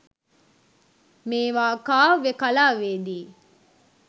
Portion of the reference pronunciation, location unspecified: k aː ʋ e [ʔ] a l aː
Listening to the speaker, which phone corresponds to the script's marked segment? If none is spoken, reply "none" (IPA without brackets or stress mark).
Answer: k